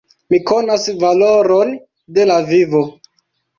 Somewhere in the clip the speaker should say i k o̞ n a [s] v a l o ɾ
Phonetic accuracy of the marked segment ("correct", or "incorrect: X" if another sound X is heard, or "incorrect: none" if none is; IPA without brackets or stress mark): correct